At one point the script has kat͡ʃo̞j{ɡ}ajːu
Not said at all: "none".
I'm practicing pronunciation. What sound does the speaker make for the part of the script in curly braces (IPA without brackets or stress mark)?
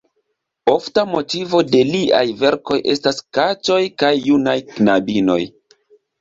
k